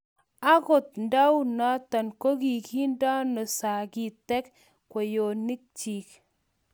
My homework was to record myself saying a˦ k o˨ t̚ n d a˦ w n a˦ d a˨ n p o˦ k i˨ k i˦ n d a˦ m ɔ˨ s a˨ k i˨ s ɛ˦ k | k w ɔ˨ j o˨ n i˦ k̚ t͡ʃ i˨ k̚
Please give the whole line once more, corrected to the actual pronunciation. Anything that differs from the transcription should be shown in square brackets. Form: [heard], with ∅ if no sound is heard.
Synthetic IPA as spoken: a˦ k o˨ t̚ n d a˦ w n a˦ [t] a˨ n [k] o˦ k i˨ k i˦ n d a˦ [n] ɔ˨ s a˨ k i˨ [t] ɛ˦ k | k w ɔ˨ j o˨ n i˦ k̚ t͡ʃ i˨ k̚